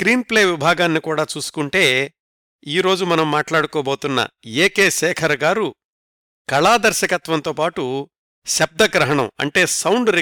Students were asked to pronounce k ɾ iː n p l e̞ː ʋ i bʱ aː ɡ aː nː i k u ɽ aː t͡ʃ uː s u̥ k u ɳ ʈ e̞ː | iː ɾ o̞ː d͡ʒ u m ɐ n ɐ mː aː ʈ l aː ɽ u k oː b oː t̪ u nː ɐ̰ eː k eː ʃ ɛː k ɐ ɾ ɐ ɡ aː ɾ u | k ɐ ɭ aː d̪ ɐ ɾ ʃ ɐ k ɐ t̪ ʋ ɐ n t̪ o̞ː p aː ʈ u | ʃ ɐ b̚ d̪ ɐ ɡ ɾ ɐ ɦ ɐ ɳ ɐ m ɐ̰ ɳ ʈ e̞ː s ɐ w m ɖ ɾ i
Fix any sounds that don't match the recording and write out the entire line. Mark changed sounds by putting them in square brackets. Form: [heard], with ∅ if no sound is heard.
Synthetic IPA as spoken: k ɾ iː n p l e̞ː ʋ i bʱ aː ɡ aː nː i k [uː] ɽ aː t͡ʃ uː s u̥ k u ɳ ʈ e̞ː | iː ɾ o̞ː d͡ʒ u m ɐ n ɐ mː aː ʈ l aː ɽ u k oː b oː t̪ u nː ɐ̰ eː k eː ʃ ɛː [kʰ] ɐ ɾ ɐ ɡ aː ɾ u | k ɐ ɭ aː d̪ ɐ ɾ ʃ ɐ k ɐ t̪ ʋ ɐ n t̪ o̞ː p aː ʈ u | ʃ ɐ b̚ d̪ ɐ ɡ ɾ ɐ ɦ ɐ ɳ ɐ m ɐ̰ ɳ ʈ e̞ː s ɐ w [ɳ] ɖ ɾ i